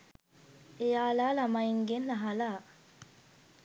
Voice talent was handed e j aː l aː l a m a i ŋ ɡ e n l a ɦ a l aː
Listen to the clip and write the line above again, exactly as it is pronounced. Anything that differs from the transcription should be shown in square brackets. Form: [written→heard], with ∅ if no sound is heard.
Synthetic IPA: e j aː l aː l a m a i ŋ ɡ e n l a ɦ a l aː